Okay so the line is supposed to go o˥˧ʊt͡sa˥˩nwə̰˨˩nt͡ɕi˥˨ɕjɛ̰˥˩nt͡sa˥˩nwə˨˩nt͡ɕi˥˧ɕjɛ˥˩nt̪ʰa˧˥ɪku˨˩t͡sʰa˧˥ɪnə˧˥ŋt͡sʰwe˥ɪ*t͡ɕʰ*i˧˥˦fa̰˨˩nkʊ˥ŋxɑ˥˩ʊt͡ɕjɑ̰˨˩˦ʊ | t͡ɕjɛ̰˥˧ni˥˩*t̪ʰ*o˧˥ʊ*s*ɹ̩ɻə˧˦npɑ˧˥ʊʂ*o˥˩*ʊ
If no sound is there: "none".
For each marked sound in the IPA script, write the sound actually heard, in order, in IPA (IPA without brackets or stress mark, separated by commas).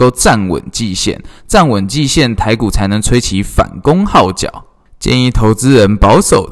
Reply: t͡ɕʰ, t̪ʰ, t͡s, o˨˩